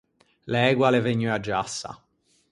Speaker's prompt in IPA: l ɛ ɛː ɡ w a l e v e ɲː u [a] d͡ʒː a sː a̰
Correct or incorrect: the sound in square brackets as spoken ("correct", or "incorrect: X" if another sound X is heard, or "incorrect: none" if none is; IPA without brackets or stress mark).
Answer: correct